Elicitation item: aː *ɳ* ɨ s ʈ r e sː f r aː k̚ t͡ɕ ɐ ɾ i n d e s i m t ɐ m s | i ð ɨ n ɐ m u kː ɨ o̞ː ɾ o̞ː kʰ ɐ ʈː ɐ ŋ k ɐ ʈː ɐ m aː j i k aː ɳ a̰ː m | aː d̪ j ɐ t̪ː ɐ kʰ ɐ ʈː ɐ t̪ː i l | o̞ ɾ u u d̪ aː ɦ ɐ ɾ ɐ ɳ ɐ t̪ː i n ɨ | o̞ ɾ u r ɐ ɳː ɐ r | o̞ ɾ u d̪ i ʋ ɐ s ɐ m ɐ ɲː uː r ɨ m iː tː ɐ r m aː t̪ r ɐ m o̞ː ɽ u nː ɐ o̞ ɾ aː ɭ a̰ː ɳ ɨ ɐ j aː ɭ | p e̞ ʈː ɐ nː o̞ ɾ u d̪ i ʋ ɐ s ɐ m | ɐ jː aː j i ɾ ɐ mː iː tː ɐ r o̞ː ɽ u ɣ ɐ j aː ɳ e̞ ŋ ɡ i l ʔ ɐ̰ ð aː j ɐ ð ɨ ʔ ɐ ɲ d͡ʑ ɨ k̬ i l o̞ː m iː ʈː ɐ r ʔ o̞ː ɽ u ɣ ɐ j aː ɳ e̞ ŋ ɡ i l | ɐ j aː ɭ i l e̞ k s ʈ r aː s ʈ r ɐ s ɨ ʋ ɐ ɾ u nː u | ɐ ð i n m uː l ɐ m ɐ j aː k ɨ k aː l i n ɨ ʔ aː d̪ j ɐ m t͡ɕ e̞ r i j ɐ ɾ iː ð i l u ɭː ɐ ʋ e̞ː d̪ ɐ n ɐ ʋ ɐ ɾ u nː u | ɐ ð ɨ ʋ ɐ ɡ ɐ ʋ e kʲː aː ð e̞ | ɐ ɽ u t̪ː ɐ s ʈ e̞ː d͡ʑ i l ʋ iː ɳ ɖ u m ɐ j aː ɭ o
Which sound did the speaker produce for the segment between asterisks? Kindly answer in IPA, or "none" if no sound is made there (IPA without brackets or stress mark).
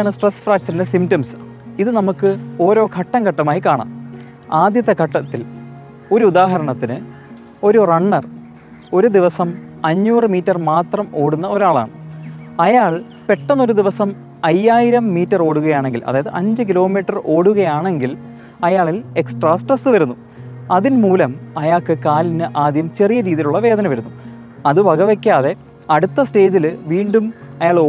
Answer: ɳ